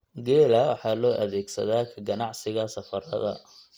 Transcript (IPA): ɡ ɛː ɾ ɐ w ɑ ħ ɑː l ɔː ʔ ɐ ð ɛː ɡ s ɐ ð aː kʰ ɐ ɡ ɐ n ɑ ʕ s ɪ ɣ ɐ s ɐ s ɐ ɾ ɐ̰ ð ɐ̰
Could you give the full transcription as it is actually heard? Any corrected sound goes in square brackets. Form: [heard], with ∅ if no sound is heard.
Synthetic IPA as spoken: ɡ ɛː [l] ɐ w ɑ ħ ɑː l ɔː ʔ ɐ ð ɛː ɡ s ɐ ð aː kʰ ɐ ɡ ɐ n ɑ ʕ s ɪ ɣ ɐ s ɐ [f] ɐ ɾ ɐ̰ ð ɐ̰